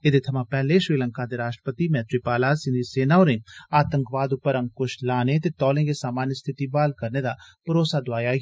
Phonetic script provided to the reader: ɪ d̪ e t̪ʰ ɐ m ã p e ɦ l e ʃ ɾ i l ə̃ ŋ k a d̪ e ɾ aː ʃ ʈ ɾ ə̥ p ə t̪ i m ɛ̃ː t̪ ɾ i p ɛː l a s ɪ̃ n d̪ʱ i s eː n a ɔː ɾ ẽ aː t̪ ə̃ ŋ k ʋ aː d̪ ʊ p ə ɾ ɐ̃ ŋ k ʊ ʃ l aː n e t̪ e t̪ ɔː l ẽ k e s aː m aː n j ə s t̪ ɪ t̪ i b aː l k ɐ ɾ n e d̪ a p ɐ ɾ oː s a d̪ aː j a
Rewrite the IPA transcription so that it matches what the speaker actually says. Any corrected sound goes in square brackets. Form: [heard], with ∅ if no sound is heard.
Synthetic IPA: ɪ d̪ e t̪ʰ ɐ m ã p [ɛ] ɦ l e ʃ ɾ [iː] l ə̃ ŋ k a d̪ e ɾ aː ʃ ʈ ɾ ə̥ p ə t̪ i m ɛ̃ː t̪ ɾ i p [aː] l a s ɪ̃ n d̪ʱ i s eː n a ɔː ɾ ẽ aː t̪ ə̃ ŋ k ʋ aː d̪ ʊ p ə ɾ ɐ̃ ŋ k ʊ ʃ l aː n e t̪ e t̪ ɔː l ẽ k e s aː m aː n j ə s [t̪ʰ] ɪ t̪ i b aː l k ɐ ɾ n e d̪ a p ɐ ɾ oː s a d̪ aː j a